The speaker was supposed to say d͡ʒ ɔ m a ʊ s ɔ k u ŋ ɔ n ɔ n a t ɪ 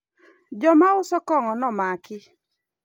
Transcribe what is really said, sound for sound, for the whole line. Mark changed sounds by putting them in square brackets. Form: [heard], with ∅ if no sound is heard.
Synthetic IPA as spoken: d͡ʒ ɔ m a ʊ s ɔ k [ɔ] ŋ ɔ n ɔ [m] a [k] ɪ